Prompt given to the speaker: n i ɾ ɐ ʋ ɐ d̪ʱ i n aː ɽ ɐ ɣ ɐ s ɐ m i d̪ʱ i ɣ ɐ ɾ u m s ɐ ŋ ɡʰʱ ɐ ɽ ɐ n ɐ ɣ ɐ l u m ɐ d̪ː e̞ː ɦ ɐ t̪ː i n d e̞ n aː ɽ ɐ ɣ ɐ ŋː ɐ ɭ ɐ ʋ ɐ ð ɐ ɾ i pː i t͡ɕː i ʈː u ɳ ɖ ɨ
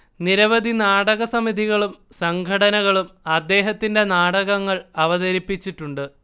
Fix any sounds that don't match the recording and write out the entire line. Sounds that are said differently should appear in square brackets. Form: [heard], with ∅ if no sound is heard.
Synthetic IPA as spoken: n i ɾ ɐ ʋ ɐ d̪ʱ i n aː ɽ ɐ ɣ ɐ s ɐ m i d̪ʱ i ɣ ɐ [ɭ] u m s ɐ ŋ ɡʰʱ ɐ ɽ ɐ n ɐ ɣ ɐ [ɭ] u m ɐ d̪ː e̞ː ɦ ɐ t̪ː i n d e̞ n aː ɽ ɐ ɣ ɐ ŋː ɐ ɭ ɐ ʋ ɐ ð ɐ ɾ i pː i t͡ɕː i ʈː u ɳ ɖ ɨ